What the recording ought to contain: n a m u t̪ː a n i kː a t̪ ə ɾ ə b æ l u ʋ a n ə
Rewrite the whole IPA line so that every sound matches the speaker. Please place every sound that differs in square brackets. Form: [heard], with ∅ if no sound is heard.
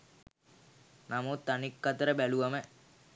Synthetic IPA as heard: n a m u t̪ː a n i kː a t̪ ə ɾ ə b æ l u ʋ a [m] ə